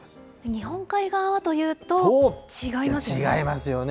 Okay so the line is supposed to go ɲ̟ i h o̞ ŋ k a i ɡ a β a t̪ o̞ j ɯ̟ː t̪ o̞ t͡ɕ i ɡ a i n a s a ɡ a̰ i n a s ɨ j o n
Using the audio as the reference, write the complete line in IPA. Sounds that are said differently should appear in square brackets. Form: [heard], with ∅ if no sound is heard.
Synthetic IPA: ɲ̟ i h [õ̞] ŋ k a i ɡ a β a t̪ o̞ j ɯ̟ː t̪ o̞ t͡ɕ i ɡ a i [m] a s [i] ɡ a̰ i [m] a s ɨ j o n